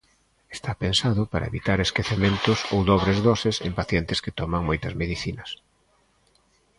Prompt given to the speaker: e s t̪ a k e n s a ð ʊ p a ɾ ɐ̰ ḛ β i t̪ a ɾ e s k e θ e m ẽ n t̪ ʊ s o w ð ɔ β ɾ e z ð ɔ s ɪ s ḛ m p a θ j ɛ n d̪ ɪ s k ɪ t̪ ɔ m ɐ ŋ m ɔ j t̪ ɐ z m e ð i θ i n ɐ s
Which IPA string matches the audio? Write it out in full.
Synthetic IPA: e s t̪ a p e n s a ð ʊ p a ɾ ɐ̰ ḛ β i t̪ a ɾ e s k e θ e m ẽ n t̪ ʊ s o w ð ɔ β ɾ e z ð ɔ s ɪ s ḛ m p a θ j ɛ n t̪ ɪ s k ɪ t̪ ɔ m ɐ ŋ m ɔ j t̪ ɐ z m e ð i θ i n ɐ s